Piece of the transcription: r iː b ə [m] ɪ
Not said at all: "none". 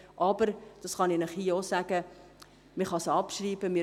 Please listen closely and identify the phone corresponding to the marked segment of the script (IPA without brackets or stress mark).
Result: m